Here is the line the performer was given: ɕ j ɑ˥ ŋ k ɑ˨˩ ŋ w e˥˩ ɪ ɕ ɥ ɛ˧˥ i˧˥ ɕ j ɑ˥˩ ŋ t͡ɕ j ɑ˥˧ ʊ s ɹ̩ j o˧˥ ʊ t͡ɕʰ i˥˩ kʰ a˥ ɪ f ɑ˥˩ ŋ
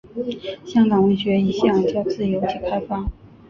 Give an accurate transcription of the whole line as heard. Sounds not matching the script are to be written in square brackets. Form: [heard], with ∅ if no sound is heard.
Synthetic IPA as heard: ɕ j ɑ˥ ŋ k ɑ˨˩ ŋ w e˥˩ ɪ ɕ ɥ ɛ˧˥ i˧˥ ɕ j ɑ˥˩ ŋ t͡ɕ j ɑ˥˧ ʊ [t͡s] ɹ̩ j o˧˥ ʊ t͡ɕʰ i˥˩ kʰ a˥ ɪ f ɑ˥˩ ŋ